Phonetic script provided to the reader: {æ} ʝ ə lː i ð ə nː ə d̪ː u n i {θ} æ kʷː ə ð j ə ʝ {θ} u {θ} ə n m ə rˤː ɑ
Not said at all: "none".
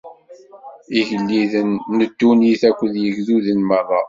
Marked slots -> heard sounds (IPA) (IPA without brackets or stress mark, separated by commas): i, θ, ð, ð